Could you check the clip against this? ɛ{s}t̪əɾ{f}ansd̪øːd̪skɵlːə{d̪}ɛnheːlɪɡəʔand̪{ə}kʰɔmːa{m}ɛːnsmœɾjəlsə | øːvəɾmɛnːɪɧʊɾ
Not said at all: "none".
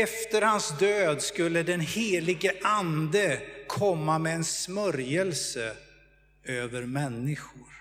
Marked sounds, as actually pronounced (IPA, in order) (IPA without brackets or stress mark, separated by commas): f, h, d̪, ə, m